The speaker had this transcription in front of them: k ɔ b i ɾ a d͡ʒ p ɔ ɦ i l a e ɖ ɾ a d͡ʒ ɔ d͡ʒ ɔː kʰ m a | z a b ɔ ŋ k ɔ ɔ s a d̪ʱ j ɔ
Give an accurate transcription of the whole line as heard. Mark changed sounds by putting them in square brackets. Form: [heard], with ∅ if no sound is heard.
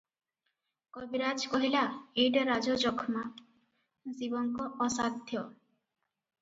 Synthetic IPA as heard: k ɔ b i ɾ a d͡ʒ [k] ɔ ɦ i l a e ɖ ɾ a d͡ʒ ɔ d͡ʒ [ɔ] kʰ m a | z [i] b ɔ ŋ k ɔ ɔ s a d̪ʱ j ɔ